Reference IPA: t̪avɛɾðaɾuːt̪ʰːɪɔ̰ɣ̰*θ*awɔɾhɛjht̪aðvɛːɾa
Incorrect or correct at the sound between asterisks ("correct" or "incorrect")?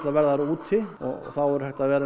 correct